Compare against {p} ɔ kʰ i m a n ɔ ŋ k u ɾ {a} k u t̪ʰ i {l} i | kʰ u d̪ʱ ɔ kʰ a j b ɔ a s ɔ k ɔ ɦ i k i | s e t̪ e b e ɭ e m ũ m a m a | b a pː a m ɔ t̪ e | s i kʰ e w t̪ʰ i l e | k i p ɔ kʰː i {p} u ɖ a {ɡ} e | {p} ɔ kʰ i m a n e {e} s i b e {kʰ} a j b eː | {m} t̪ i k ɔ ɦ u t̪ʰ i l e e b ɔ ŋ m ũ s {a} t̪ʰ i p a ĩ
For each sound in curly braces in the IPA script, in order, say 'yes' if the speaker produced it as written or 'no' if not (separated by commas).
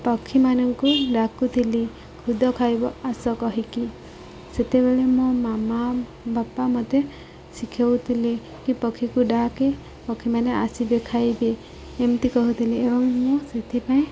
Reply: yes, yes, yes, no, no, yes, no, yes, yes, no